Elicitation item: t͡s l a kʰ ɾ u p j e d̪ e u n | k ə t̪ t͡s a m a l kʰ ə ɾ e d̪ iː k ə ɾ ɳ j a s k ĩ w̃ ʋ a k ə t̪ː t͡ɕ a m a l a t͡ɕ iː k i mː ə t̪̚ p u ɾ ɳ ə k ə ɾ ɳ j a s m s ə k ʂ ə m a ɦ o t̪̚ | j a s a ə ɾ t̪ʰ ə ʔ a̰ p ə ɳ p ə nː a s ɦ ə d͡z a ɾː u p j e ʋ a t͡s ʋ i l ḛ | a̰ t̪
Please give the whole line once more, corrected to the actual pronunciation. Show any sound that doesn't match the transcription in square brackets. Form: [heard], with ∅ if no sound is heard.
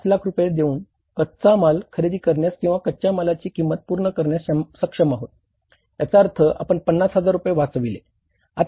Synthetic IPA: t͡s l a kʰ ɾ u p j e d̪ e [uː] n | k ə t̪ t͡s a m a l kʰ ə ɾ e d̪ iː k ə ɾ ɳ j a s k ĩ w̃ ʋ a k ə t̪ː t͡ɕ a m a l a t͡ɕ iː k i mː ə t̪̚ p u ɾ ɳ ə k ə ɾ ɳ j a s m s ə k ʂ ə m a ɦ o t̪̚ | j a [t͡s] a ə ɾ t̪ʰ ə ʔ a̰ p ə ɳ p ə nː a s ɦ ə d͡z a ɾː u p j e ʋ a t͡s ʋ i l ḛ | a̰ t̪